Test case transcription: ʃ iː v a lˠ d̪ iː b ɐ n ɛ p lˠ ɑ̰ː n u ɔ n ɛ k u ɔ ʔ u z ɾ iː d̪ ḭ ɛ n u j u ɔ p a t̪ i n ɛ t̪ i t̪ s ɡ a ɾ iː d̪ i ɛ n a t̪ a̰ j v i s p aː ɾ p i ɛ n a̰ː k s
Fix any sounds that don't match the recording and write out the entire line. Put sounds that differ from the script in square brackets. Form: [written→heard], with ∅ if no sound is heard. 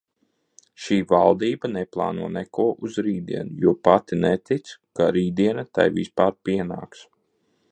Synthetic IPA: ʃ iː v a lˠ d̪ iː b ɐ n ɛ p lˠ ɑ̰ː n u ɔ n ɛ k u ɔ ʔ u z ɾ iː d̪ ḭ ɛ n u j u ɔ p a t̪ i n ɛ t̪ i t̪ s [ɡ→k] a ɾ iː d̪ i ɛ n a t̪ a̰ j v i s p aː ɾ p i ɛ n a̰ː k s

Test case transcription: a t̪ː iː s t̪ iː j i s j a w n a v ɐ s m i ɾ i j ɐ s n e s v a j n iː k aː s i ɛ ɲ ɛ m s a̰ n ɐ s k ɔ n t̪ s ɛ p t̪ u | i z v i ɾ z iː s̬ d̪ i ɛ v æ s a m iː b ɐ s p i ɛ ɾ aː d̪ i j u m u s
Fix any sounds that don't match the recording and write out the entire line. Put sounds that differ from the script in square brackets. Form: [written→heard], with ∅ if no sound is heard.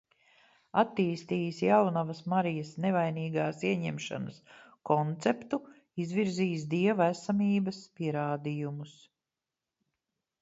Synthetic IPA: a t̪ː iː s t̪ iː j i s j a w n a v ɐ s m [i→a] ɾ i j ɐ s n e [s→∅] v a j n iː [k→ɡ] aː s i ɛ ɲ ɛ m [s→ʃ] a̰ n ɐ s k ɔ n t̪ s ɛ p t̪ u | i z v i ɾ z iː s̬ d̪ i ɛ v æ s a m iː b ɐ s p i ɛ ɾ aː d̪ i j u m u s

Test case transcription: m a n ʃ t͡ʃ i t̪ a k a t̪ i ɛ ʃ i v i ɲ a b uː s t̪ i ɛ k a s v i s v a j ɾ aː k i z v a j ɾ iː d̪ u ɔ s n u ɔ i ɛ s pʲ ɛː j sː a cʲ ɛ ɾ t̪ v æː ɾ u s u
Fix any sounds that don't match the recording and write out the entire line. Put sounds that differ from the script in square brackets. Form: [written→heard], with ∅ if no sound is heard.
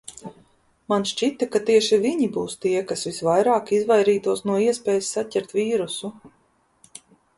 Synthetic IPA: m a n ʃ t͡ʃ i t̪ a k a t̪ i ɛ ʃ i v i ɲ [a→i] b uː s t̪ i ɛ k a s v i s v a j ɾ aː k i z v a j ɾ iː [d̪→t̪] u ɔ s n u ɔ i ɛ s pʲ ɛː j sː a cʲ ɛ ɾ t̪ v [æː→iː] ɾ u s u

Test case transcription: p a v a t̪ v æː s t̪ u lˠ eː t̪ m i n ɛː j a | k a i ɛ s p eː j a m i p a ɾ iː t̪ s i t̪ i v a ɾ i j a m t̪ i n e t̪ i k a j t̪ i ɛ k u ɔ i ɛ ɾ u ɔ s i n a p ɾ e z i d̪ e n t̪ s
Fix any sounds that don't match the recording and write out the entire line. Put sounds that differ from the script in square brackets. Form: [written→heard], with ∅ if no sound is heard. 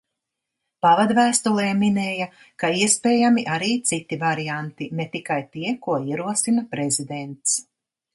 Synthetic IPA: p a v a [t̪→d̪] v æː s t̪ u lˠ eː [t̪→∅] m i n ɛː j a | k a i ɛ s p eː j a m i [p→ʔ] a ɾ iː t̪ s i t̪ i v a ɾ i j a [m→n] t̪ i n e t̪ i k a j t̪ i ɛ k u ɔ i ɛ ɾ u ɔ s i n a p ɾ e z i d̪ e n t̪ s

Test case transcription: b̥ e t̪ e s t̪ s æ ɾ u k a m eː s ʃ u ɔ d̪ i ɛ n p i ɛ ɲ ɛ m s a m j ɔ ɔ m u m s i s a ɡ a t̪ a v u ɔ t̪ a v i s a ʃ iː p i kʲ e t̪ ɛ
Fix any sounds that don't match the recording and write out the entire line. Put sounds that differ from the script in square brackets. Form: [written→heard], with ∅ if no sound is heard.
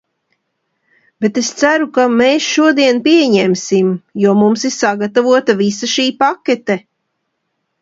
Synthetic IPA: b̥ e t̪ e s t̪ s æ ɾ u k a m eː s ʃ u ɔ d̪ i ɛ n p i ɛ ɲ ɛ m s [a→i] m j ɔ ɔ m u m s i s a ɡ a t̪ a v u ɔ t̪ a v i s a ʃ iː p [i→a] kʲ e t̪ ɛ

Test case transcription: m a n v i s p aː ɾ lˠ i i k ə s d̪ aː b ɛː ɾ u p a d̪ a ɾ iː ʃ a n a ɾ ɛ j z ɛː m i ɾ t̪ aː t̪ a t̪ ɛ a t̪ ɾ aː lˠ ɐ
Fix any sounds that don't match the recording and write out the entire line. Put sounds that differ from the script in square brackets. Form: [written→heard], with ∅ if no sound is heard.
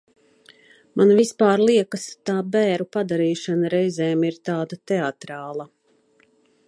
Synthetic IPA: m a n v i s p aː ɾ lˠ i [i→ɛ] k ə s [d̪→t̪] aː b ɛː ɾ u p a d̪ a ɾ iː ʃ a n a ɾ ɛ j z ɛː m i ɾ t̪ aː [t̪→d̪] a t̪ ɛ a t̪ ɾ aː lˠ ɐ

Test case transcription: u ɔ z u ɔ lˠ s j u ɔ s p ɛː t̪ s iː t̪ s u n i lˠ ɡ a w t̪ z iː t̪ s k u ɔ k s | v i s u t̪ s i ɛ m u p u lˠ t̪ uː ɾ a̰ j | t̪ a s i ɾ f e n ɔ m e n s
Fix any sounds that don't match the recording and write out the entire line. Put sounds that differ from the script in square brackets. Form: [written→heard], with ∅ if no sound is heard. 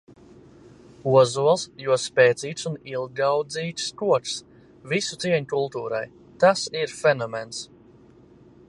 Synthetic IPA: u ɔ z u ɔ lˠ s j u ɔ s p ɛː t̪ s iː t̪ s u n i lˠ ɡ a w [t̪→d̪] z iː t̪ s k u ɔ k s | v i s u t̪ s i ɛ [m→ɲ] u [p→k] u lˠ t̪ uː ɾ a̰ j | t̪ a s i ɾ f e n ɔ m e n s

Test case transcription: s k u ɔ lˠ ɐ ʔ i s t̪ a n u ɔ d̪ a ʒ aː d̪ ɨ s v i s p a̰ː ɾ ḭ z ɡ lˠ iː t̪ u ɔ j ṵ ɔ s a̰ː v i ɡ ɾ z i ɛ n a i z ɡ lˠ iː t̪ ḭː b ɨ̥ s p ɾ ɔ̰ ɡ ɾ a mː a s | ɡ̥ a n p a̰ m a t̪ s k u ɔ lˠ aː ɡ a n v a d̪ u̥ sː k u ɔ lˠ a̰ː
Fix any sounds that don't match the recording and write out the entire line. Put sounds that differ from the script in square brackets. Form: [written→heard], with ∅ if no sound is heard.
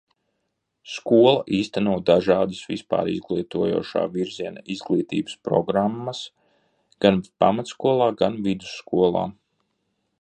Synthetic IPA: s k u ɔ lˠ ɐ ʔ [i→iː] s t̪ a n u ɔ d̪ a ʒ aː d̪ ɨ s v i s p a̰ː ɾ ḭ z ɡ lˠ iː t̪ u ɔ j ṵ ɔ [s→ʃ] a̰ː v i [ɡ→∅] ɾ z i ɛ n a i z ɡ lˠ iː t̪ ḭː b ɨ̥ s p ɾ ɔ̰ ɡ ɾ a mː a s | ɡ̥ a n p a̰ m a t̪ s k u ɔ lˠ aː ɡ a n v [a→i] d̪ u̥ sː k u ɔ lˠ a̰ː

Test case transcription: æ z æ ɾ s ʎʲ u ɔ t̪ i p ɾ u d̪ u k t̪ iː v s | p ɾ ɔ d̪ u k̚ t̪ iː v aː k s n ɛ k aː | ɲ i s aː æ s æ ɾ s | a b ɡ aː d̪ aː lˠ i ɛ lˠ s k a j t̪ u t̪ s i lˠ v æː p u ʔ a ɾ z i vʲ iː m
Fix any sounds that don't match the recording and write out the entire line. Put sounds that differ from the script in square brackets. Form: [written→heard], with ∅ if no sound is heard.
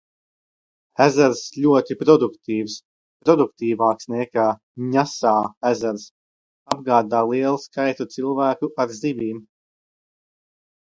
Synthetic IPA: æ z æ ɾ s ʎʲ u ɔ t̪ i p ɾ [u→ɔ] d̪ u k t̪ iː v s | p ɾ ɔ d̪ u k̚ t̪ iː v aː k s n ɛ k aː | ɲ [i→a] s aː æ [s→z] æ ɾ s | a b ɡ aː d̪ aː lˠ i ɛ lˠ s k a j t̪ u t̪ s i lˠ v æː [p→k] u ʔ a ɾ z i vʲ iː m

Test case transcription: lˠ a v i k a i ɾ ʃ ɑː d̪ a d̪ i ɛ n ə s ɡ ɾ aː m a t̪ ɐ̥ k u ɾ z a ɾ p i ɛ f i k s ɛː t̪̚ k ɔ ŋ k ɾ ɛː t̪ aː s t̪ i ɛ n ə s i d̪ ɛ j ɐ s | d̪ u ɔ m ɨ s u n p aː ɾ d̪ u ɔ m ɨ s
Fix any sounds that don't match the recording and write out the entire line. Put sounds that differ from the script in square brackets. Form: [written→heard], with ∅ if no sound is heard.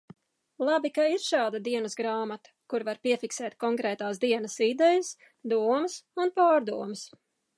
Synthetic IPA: lˠ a [v→b] i k a i ɾ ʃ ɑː d̪ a d̪ i ɛ n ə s ɡ ɾ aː m a t̪ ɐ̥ k u ɾ [z→v] a ɾ p i ɛ f i k s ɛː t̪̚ k ɔ ŋ k ɾ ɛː t̪ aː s [t̪→d̪] i ɛ n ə s i d̪ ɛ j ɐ s | d̪ u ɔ m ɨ s u n p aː ɾ d̪ u ɔ m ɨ s

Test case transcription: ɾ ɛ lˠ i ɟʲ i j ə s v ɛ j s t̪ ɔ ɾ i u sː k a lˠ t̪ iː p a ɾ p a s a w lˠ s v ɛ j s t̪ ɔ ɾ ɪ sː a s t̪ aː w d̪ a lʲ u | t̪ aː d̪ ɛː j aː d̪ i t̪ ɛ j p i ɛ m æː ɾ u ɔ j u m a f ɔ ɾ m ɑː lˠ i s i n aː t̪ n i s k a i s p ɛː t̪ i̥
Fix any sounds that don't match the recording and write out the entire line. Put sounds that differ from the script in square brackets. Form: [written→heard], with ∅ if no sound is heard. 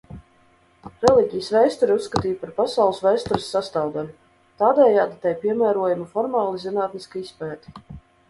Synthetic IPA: ɾ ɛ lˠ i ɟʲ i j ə s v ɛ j s t̪ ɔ ɾ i u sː k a [lˠ→∅] t̪ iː p a ɾ p a s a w lˠ s v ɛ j s t̪ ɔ ɾ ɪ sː a s t̪ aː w d̪ a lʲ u | t̪ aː d̪ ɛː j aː d̪ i t̪ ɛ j p i ɛ m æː ɾ u ɔ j u m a f ɔ ɾ m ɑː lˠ i [s→z] i n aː t̪ n i s k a i s p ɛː t̪ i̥

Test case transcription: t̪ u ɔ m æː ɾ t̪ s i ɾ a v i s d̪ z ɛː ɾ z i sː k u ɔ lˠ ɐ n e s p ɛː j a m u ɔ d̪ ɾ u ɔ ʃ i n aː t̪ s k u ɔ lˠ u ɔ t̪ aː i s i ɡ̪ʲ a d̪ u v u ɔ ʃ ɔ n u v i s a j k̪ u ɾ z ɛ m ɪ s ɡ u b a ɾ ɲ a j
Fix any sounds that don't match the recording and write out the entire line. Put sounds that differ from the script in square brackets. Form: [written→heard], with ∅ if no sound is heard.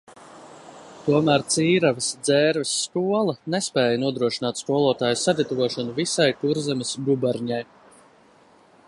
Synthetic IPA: t̪ u ɔ m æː ɾ t̪ s [i→iː] ɾ a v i s d̪ z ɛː ɾ [z→v] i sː k u ɔ lˠ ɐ n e s p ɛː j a [m→n] u ɔ d̪ ɾ u ɔ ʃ i n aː t̪ s k u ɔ lˠ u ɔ t̪ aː [i→j] s [i→a] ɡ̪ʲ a [d̪→t̪] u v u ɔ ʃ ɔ n u v i s a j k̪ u ɾ z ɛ m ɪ s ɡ u b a ɾ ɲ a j

